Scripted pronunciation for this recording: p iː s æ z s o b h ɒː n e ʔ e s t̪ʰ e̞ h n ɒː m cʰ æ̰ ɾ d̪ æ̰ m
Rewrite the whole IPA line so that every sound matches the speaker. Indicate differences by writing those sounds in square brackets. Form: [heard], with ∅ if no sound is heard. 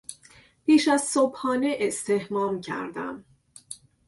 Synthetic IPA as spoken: p iː [ʃ] æ z s o b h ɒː n e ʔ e s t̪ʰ e̞ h [m] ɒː m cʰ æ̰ ɾ d̪ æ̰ m